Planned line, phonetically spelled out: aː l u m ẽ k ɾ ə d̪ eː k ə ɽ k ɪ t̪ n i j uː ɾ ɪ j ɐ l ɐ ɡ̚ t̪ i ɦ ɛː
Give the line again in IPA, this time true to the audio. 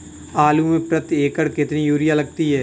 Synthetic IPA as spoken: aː l u m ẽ p ɾ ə t̪ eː k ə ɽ k ɪ t̪ n i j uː ɾ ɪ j a l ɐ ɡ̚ t̪ i ɦ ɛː

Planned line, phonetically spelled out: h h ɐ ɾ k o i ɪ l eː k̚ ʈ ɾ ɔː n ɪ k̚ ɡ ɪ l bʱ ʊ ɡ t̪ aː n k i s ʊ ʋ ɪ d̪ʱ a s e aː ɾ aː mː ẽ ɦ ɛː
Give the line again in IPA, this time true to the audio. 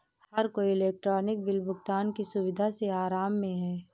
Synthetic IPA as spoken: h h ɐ ɾ k o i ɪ l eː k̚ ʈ ɾ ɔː n ɪ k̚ b ɪ l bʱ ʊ ɡ t̪ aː n k i s ʊ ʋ ɪ d̪ʱ a s e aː ɾ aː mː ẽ ɦ ɛː

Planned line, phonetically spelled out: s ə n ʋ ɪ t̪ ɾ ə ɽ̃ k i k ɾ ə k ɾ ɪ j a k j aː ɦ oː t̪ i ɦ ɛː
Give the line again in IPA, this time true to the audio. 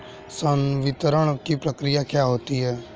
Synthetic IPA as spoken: s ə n ʋ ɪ t̪ ɾ ə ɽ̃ k i p ɾ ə k ɾ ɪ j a k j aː ɦ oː t̪ i ɦ ɛː

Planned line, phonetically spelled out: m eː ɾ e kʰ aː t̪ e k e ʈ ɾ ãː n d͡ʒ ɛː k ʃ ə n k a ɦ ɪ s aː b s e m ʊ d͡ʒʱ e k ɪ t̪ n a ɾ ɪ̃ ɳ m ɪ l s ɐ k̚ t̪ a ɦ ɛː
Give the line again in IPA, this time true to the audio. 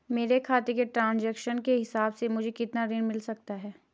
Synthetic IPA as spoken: m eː ɾ e kʰ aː t̪ e k e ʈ ɾ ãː n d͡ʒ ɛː k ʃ ə n k e ɦ ɪ s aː b s e m ʊ d͡ʒʱ e k ɪ t̪ n a ɾ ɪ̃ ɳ m ɪ l s ɐ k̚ t̪ a ɦ ɛː

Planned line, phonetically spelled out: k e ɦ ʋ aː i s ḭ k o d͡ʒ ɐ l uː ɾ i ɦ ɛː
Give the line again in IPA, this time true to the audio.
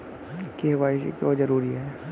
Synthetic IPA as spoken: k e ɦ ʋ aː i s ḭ k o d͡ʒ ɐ ɾ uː ɾ i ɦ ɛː

